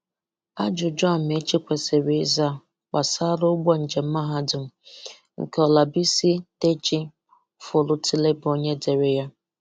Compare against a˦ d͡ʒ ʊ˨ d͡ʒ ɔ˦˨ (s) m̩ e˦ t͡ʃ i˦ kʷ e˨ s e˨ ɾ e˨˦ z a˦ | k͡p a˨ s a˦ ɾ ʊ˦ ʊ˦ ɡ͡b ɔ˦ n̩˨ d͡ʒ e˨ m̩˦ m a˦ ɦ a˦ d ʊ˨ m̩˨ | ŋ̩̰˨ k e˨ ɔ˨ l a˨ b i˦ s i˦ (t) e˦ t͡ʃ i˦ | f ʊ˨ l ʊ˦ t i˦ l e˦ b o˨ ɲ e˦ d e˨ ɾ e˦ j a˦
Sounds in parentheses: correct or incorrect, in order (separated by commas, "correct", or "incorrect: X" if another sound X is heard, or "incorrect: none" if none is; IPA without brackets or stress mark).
incorrect: none, correct